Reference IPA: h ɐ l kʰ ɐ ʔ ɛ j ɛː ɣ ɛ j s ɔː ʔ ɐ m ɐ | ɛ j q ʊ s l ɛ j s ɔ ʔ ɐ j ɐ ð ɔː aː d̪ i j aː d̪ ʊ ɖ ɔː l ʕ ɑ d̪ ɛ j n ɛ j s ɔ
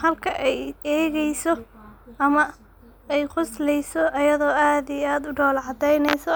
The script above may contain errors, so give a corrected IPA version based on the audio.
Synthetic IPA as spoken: h ɐ l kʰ ɐ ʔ ɛ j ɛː ɣ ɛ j s ɔ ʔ ɐ m ɐ | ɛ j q ʊ s l ɛ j s ɔ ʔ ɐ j ɐ ð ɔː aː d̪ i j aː d̪ ʊ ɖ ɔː l ʕ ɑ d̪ ɛ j n ɛ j s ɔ